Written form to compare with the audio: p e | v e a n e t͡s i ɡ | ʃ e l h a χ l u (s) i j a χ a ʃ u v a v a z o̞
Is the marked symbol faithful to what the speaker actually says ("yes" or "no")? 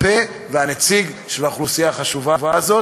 yes